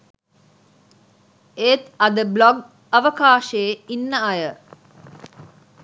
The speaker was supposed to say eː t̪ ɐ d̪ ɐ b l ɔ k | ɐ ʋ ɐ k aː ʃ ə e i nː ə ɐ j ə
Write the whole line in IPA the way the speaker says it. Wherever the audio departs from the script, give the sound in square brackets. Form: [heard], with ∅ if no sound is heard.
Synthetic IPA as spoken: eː t̪ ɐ d̪ [ə] b l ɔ [ɡ] | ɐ ʋ [ə] k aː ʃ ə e i nː ə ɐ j ə